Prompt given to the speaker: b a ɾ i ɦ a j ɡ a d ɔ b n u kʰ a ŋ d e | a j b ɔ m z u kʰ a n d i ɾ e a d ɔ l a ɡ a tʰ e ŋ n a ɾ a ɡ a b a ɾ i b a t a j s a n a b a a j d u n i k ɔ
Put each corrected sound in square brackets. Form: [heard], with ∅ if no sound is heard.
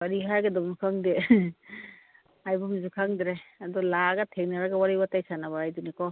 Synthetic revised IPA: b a ɾ i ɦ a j ɡ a d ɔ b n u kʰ a ŋ d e | a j b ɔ m z u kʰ a [ŋ] d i ɾ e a d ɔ l a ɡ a tʰ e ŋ n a ɾ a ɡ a [w] a ɾ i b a t a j s a n a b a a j d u n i k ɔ